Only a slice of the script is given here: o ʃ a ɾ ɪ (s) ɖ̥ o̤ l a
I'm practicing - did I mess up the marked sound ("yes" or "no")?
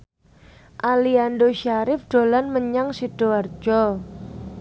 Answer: yes